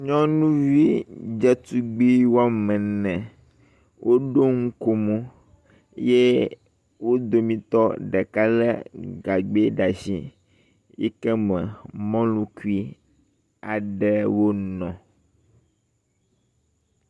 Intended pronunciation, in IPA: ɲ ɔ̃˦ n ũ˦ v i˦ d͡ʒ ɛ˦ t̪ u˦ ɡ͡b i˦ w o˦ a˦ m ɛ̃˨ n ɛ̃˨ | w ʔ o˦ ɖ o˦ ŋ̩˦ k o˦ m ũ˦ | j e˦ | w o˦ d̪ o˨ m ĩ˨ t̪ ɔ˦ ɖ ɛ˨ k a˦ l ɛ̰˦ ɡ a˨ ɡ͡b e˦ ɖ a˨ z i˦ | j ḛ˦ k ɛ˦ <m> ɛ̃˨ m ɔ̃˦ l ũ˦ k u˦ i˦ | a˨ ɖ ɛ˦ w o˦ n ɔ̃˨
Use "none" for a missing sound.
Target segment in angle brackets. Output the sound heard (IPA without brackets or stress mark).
m